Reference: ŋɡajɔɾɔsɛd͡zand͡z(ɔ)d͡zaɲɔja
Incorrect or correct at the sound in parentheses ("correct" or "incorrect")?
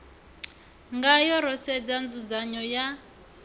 incorrect